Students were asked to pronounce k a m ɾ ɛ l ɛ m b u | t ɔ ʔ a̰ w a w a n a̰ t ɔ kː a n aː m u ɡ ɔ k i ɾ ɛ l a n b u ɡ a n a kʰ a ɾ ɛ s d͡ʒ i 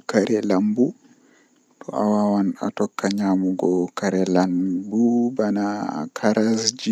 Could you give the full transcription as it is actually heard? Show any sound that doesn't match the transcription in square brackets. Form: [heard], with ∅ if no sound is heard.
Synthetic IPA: k a [∅] ɾ ɛ l [a] m b u | t ɔ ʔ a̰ w a w a n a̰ t ɔ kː a [ɲ] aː m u ɡ ɔ k [a] ɾ ɛ l a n b u [b] a n a kʰ a ɾ [a] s d͡ʒ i

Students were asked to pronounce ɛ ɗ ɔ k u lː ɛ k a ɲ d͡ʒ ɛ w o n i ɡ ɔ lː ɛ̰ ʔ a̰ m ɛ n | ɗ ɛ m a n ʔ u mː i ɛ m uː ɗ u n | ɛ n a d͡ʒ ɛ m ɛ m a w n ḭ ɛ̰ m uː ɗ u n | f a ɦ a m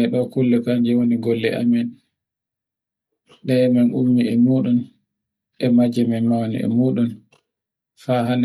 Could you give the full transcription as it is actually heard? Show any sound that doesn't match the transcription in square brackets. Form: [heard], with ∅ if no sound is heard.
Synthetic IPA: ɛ ɗ ɔ k u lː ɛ k a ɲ d͡ʒ ɛ w o n i ɡ ɔ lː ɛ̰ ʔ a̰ m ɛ n | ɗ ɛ m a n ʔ u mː i ɛ m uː ɗ u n | ɛ [m] a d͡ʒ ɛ m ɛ m a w n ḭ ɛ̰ m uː ɗ u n | f a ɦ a [n]

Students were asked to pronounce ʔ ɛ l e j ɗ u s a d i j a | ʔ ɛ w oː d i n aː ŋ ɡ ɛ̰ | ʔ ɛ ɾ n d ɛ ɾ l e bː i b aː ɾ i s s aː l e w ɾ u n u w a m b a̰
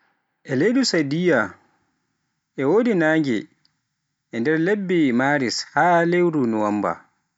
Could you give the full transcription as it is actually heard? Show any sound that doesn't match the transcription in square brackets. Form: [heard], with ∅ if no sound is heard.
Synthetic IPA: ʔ ɛ l e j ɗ u s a d i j a | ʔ ɛ w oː d i n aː ŋ ɡ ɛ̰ | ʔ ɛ [∅] n d ɛ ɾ l e bː i [m] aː ɾ i s [h] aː l e w ɾ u n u w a m b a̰

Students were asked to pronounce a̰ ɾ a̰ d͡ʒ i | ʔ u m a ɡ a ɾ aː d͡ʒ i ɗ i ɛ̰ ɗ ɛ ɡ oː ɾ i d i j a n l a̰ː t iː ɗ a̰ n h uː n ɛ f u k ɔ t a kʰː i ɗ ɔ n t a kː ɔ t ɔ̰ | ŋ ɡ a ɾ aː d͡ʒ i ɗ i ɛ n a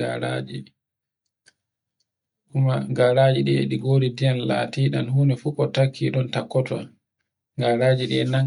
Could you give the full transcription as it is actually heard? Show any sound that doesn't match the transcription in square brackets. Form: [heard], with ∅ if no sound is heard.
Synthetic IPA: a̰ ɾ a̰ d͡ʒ i | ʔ u m a ɡ a ɾ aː d͡ʒ i ɗ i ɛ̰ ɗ [i] ɡ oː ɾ i d i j a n l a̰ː t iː ɗ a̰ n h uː n ɛ f u k ɔ t a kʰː i ɗ ɔ n t a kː ɔ t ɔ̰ | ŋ ɡ a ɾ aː d͡ʒ i ɗ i ɛ n a

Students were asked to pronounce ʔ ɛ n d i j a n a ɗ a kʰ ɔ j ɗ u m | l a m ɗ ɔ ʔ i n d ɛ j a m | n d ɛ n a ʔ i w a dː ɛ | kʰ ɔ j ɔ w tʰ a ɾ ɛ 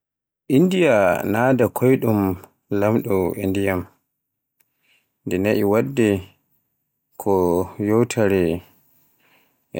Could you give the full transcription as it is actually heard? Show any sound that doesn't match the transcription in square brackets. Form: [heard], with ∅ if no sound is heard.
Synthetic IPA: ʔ [i] n d i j a n a [d] a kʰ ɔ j ɗ u m | l a m ɗ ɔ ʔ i n d [i] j a m | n d ɛ n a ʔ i w a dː ɛ | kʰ ɔ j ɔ w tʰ a ɾ ɛ

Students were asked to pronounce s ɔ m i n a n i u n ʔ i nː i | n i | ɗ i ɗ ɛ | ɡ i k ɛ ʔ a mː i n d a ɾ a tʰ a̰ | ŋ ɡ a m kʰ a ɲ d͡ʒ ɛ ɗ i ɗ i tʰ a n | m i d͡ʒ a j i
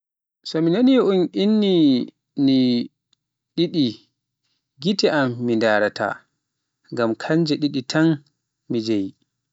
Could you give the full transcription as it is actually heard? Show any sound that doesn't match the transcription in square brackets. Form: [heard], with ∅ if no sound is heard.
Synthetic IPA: s ɔ m i n a n i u n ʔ i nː i | n i | ɗ i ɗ [i] | ɡ i [t] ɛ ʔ a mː i n d a ɾ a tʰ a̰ | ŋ ɡ a m kʰ a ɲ d͡ʒ ɛ ɗ i ɗ i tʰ a n | m i d͡ʒ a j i

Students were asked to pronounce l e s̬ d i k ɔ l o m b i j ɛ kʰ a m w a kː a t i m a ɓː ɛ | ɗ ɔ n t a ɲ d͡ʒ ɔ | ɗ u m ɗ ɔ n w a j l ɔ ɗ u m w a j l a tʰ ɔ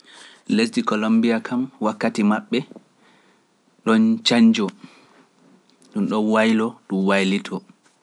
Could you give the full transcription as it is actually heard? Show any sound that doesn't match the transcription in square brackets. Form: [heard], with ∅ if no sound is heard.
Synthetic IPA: l e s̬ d i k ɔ l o m b i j [a] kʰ a m w a kː a t i m a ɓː ɛ | ɗ ɔ n [t͡ʃ] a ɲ d͡ʒ ɔ | ɗ u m ɗ ɔ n w a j l ɔ ɗ u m w a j l [i] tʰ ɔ

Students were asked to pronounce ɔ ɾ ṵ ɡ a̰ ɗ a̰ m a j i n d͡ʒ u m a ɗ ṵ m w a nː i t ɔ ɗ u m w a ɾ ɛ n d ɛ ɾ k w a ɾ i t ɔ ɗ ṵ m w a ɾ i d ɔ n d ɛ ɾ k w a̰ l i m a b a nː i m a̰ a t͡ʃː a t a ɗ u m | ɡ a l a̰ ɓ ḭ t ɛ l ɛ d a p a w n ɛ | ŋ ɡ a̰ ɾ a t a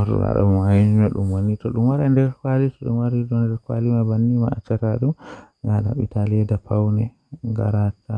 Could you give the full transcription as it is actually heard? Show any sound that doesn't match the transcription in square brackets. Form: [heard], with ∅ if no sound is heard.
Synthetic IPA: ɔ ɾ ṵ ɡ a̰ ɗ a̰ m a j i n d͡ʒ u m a ɗ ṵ m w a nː i t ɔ ɗ u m w a ɾ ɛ n d ɛ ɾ k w a [l] i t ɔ ɗ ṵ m w a ɾ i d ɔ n d ɛ ɾ k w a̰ l i m a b a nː i m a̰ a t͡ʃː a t a ɗ u m | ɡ a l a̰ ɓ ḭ t [a] l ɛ d a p a w n ɛ | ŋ ɡ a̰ ɾ a t a

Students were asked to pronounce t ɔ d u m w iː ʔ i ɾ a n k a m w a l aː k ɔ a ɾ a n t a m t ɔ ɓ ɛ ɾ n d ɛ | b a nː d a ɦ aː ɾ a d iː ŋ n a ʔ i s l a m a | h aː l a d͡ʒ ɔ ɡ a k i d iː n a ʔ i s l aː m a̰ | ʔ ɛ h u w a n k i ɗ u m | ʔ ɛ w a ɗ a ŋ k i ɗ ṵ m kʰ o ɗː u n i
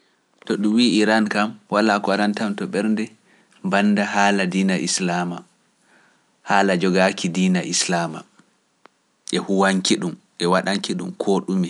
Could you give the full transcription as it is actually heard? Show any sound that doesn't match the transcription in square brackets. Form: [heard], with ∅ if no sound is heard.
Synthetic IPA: t ɔ [ɗ] u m w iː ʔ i ɾ a n k a m w a l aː k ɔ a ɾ a n t a m t ɔ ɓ ɛ ɾ n d ɛ | b a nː d a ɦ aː [l] a d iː [∅] n a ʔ i s l a m a | h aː l a d͡ʒ ɔ ɡ a k i d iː n a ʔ i s l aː m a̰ | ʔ ɛ h u w a [ŋ] k i ɗ u m | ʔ ɛ w a ɗ a ŋ k i ɗ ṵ m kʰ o [ɗ] u [m] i

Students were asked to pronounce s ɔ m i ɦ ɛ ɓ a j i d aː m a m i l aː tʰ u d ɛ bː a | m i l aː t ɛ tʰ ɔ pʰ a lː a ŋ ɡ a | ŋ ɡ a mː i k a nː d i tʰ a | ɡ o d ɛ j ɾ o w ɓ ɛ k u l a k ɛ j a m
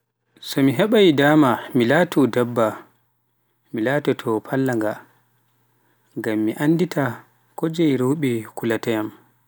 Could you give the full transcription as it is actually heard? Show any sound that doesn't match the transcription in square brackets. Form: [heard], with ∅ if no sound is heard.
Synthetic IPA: s ɔ m i ɦ ɛ ɓ a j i d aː m a m i l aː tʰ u d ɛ bː a | m i l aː t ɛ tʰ ɔ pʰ a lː a ŋ ɡ a | ŋ ɡ a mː i [ʔ] a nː d i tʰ a | [k] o [d͡ʒ] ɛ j ɾ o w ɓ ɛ k u l a [t] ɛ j a m

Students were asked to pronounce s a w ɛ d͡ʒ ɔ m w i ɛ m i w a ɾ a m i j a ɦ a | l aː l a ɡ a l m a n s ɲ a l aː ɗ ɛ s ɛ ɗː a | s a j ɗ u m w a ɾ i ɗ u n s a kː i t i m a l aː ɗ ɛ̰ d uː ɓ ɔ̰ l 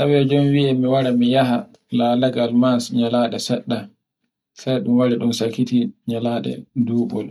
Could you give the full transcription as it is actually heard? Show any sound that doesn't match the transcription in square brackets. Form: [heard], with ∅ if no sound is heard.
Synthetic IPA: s a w ɛ d͡ʒ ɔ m w i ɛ m i w a ɾ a m i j a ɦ a | l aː l a ɡ a l m a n s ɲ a l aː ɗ ɛ s ɛ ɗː a | s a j ɗ u m w a ɾ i ɗ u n s a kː i t i [ɲ] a l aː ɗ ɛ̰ d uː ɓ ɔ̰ l

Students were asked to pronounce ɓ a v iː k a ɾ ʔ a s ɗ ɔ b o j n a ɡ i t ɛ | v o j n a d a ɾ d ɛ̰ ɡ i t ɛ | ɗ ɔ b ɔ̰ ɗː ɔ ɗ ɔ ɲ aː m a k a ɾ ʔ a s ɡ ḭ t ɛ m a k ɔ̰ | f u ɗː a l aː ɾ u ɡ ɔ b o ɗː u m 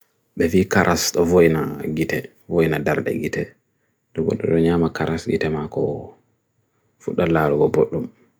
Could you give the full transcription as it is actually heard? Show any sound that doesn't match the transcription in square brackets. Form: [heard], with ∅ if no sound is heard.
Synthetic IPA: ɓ [ɛ] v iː k a ɾ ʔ a s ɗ ɔ [v] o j n a ɡ i t ɛ | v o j n a d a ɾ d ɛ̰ ɡ i t ɛ | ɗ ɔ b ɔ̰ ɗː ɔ ɗ ɔ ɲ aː m a k a ɾ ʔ a s ɡ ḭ t ɛ m a k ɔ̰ | f u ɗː a l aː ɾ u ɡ ɔ b o ɗː u m

